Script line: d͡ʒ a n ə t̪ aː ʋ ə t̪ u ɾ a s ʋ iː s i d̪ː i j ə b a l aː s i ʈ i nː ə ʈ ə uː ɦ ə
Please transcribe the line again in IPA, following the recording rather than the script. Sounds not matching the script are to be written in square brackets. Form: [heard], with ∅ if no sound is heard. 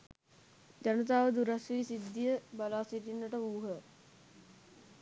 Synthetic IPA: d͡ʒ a n ə t̪ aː ʋ ə [d̪] u ɾ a s ʋ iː s i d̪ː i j ə b a l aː s i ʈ i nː ə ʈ ə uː ɦ ə

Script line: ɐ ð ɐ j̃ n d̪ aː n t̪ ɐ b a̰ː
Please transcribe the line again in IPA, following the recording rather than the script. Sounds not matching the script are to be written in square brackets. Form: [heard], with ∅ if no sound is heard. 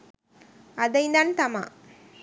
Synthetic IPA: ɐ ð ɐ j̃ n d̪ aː n t̪ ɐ [m] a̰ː

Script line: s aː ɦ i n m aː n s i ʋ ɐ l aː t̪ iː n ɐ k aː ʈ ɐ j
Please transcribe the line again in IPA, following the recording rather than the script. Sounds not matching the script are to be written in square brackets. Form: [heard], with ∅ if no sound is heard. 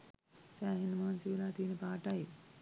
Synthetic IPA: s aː ɦ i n m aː n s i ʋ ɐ l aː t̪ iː n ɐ [p] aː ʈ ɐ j

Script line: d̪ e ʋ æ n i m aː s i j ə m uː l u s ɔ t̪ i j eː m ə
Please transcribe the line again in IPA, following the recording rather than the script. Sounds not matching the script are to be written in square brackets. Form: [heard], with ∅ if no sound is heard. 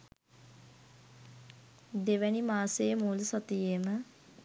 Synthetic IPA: d̪ e ʋ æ n i m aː s [e] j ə m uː l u s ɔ t̪ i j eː m ə

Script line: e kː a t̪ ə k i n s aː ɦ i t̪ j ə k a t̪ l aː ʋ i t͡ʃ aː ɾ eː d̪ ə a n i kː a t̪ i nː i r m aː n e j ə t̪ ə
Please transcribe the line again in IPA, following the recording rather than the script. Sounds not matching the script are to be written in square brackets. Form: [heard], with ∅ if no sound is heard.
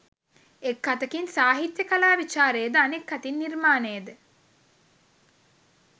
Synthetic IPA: e kː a t̪ ə k i n s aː ɦ i t̪ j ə k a [∅] l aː ʋ i t͡ʃ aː ɾ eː d̪ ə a n [e] kː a t̪ i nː i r m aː n e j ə [d̪] ə

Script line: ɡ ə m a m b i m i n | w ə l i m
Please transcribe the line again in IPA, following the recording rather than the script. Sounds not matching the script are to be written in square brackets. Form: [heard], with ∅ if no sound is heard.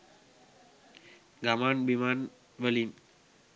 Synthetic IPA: ɡ [a] m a [n] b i m [a] n | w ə l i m

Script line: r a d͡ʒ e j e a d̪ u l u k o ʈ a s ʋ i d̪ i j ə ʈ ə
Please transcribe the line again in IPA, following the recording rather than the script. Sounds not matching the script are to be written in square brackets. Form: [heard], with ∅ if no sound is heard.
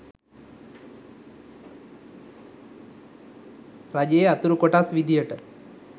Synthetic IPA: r a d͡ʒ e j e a [t̪] u [ɾ] u k o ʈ a s ʋ i d̪ i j ə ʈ ə

